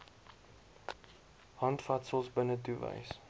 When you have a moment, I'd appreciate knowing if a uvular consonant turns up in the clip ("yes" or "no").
no